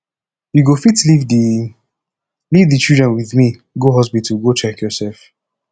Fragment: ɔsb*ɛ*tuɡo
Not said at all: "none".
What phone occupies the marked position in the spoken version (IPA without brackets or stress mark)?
i